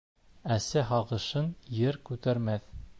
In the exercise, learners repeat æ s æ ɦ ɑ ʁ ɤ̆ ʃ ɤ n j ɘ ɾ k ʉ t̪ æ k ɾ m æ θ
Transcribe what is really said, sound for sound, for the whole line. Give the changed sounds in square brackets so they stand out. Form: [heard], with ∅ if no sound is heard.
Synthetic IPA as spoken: æ s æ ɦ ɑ ʁ ɤ̆ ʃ ɤ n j ɘ ɾ k ʉ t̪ æ [∅] ɾ m æ θ